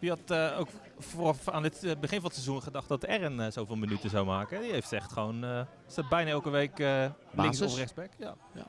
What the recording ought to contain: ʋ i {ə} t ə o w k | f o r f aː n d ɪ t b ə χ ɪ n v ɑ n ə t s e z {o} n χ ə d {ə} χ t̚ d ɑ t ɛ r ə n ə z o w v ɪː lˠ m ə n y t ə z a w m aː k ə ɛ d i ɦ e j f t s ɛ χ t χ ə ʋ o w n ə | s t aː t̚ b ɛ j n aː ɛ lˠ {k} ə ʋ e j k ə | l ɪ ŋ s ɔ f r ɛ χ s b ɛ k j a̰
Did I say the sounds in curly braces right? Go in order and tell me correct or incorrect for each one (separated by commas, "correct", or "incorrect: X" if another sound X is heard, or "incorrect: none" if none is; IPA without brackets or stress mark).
incorrect: ɑ, incorrect: u, incorrect: ɑ, correct